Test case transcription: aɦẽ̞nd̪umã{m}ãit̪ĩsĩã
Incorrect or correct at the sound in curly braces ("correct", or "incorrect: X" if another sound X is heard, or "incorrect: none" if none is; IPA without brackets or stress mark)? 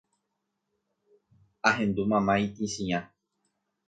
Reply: correct